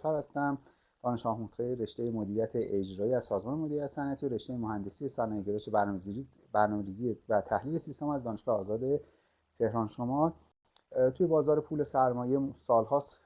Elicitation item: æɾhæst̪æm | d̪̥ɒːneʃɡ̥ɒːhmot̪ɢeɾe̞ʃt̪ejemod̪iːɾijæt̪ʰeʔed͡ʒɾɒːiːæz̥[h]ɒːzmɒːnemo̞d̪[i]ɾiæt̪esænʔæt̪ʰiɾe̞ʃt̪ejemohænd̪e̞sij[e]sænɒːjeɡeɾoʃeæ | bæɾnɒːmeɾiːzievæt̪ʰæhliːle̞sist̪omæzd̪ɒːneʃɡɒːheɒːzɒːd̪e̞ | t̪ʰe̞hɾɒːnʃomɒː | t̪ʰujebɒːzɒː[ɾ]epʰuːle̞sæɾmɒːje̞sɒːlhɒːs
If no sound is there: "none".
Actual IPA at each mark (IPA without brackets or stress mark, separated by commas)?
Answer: s, i, e, ɾ